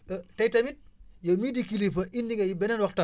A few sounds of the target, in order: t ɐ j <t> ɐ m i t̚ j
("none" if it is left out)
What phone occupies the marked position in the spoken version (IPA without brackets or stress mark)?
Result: t